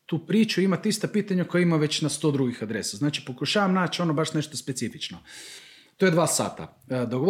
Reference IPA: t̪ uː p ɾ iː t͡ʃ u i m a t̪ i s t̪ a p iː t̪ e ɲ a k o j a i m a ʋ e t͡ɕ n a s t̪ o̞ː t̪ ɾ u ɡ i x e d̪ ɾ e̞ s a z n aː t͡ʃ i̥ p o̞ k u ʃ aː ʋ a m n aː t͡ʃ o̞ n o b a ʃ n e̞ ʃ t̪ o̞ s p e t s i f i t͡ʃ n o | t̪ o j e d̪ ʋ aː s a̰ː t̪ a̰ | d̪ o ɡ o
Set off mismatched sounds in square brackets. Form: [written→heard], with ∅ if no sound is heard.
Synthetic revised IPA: t̪ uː p ɾ iː t͡ʃ u i m a t̪ i s t̪ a p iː t̪ [e→a] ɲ a k o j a i m a ʋ e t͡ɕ n a s t̪ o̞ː [t̪→d̪] ɾ u ɡ i x [e→a] d̪ ɾ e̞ s a z n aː t͡ʃ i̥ p o̞ k u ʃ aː ʋ a m n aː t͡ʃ o̞ n o b a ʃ n e̞ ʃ t̪ o̞ s p e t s i f i t͡ʃ n o | t̪ o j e d̪ ʋ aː s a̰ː t̪ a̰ | d̪ o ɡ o